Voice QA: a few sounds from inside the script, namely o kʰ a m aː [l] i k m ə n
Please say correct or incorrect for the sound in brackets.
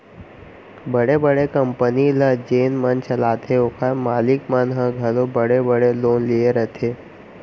correct